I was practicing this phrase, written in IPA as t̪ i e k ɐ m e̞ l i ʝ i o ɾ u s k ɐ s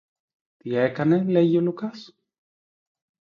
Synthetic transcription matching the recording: t̪ i e k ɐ n e̞ l e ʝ i o l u k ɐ s